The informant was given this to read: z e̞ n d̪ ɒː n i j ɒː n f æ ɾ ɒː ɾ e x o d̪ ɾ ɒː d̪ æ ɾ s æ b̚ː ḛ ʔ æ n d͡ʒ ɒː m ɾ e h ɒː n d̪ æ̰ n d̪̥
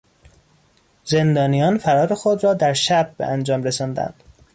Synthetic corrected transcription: z e̞ n d̪ ɒː n i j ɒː n f æ ɾ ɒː ɾ e x o d̪ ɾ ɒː d̪ æ ɾ ʃ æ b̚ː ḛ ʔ æ n d͡ʒ ɒː m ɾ e s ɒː n d̪ æ̰ n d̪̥